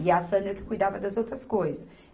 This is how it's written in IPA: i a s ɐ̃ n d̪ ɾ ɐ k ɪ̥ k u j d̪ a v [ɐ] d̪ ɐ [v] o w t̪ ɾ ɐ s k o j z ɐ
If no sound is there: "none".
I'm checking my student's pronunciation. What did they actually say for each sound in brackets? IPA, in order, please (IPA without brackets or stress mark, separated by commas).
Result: ɐ, z